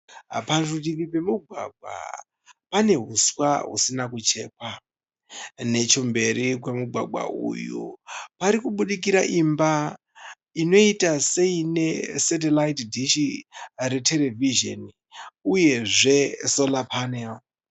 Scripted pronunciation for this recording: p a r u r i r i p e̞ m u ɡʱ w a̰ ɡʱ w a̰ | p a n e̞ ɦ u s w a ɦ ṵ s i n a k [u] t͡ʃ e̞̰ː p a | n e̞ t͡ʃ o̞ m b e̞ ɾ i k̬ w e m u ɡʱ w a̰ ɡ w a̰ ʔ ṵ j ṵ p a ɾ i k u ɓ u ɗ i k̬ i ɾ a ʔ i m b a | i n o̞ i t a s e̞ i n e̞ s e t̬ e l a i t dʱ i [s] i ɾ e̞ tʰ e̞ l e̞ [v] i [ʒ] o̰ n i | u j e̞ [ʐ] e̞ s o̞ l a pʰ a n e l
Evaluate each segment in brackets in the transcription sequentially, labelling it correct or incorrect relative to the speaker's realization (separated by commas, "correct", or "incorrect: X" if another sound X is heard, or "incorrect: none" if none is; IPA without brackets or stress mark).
correct, incorrect: ʃ, correct, correct, correct